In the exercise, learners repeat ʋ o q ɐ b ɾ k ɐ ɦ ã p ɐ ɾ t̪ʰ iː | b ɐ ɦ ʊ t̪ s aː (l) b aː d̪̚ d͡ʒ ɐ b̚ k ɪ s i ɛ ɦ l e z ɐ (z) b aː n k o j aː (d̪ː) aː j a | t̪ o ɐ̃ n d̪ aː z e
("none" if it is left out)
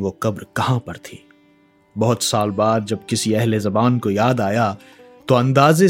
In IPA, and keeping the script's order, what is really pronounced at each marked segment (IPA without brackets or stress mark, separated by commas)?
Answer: l, none, d̪